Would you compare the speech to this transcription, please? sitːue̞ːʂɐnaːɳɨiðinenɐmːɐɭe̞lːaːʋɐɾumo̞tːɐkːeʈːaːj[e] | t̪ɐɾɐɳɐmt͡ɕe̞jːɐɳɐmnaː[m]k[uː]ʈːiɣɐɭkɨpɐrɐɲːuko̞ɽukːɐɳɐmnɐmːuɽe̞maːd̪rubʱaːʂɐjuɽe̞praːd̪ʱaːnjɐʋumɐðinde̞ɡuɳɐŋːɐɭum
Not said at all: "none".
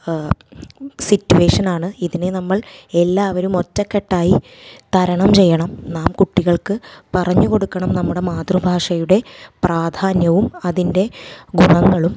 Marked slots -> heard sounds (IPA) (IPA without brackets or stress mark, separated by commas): i, m, u